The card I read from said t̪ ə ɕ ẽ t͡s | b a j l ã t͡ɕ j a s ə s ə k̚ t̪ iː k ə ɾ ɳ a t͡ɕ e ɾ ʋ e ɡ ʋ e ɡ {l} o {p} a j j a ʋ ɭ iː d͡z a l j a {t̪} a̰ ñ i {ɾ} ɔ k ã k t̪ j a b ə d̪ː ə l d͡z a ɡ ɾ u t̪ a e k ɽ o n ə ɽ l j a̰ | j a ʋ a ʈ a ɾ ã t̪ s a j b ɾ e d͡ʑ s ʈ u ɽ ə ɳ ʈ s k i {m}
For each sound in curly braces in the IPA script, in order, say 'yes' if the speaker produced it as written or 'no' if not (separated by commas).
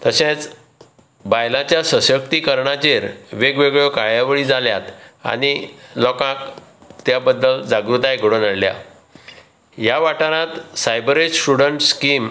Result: no, no, yes, no, yes